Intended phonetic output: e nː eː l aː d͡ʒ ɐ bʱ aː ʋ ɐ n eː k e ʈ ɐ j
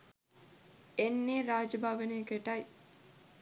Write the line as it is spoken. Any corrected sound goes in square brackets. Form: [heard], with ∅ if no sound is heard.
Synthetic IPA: e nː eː [ɾ] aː d͡ʒ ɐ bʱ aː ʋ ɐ n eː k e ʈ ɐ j